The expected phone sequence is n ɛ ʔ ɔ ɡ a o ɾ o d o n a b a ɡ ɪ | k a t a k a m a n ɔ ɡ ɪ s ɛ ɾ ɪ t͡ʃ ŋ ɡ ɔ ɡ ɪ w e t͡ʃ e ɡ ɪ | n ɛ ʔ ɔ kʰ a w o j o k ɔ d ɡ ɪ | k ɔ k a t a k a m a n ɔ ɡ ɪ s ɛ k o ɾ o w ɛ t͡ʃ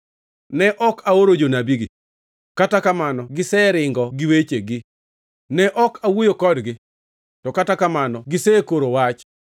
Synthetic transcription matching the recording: n ɛ ʔ ɔ k a o ɾ o d͡ʒ o n a b i ɡ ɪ | k a t a k a m a n ɔ ɡ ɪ s ɛ ɾ ɪ ŋ ɡ ɔ ɡ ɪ w e t͡ʃ e ɡ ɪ | n ɛ ʔ ɔ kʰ a w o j o k ɔ d ɡ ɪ | t ɔ k a t a k a m a n ɔ ɡ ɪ s ɛ k o ɾ o w a t͡ʃ